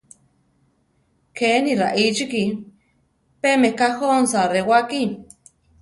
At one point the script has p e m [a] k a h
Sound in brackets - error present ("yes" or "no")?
yes